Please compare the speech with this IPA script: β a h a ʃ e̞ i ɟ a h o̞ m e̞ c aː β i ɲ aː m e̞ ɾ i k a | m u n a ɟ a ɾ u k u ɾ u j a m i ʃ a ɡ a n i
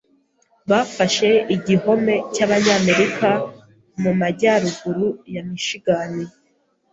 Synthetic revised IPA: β a f a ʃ e̞ i ɟ i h o̞ m e̞ c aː β a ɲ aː m e̞ ɾ i k a | m u m a ɟ a ɾ u ɡ u ɾ u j a m i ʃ i ɡ a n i